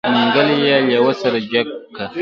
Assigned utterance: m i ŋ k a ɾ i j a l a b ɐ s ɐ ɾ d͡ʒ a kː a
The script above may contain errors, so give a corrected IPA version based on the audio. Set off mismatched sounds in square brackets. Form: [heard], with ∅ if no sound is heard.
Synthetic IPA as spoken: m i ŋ [ɡ] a [l] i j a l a [w] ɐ s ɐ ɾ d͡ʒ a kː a